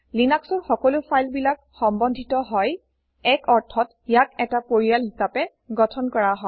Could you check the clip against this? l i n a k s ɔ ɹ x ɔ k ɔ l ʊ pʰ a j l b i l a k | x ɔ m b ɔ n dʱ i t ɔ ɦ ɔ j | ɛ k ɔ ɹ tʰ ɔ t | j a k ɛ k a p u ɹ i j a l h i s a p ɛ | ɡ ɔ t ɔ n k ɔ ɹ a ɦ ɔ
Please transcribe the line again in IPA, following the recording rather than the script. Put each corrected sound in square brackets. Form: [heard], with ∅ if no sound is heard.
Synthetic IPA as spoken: l i n a k s ɔ ɹ x ɔ k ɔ l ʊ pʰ a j l b i l a k | x ɔ m b ɔ n dʱ i t ɔ ɦ ɔ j | ɛ k ɔ ɹ tʰ ɔ t | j a k ɛ [t] a p [o] ɹ i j a l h i s a p ɛ | ɡ ɔ [tʰ] ɔ n k ɔ ɹ a ɦ ɔ